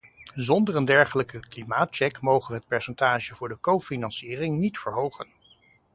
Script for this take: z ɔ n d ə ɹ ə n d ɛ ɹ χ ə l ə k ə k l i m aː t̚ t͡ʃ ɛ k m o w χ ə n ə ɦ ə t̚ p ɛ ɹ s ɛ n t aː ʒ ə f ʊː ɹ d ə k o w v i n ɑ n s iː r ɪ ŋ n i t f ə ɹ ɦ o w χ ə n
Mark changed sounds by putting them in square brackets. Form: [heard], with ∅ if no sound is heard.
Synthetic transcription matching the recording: z ɔ n d ə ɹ ə n d ɛ ɹ χ ə l ə k ə k l i m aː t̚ t͡ʃ ɛ k m o w χ ə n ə ɦ ə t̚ p ɛ ɹ s ɛ n t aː ʒ ə [v] ʊː ɹ d ə k o w [f] i n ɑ n s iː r ɪ ŋ n i t f ə ɹ ɦ o w χ ə n